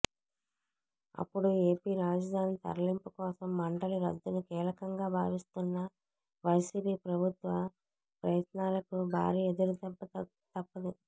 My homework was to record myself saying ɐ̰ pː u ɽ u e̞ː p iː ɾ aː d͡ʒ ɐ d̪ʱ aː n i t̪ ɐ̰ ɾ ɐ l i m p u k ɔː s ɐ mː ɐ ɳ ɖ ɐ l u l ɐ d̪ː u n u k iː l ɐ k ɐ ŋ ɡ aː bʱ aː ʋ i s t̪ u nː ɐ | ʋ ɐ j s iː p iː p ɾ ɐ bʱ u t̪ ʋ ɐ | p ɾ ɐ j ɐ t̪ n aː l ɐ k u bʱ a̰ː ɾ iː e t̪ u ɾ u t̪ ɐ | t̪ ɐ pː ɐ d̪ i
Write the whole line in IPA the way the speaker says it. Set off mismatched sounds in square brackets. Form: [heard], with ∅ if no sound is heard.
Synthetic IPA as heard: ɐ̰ pː u ɽ u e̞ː p iː ɾ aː d͡ʒ ɐ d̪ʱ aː n i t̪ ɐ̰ ɾ ɐ l i m p u k ɔː s ɐ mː ɐ ɳ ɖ ɐ l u [ɾ] ɐ d̪ː u n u k iː l ɐ k ɐ ŋ ɡ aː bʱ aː ʋ i s t̪ u nː ɐ | ʋ ɐ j s iː p iː p ɾ ɐ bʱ u t̪ ʋ ɐ | p ɾ ɐ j ɐ t̪ n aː l ɐ k u bʱ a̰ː ɾ iː e [d̪] u ɾ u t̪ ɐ | t̪ ɐ pː ɐ d̪ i